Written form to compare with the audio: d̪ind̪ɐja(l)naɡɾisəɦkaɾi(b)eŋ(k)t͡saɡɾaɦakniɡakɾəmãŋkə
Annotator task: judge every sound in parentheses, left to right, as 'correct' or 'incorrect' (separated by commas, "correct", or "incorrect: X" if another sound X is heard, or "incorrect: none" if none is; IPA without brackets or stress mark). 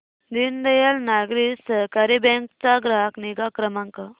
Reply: correct, correct, correct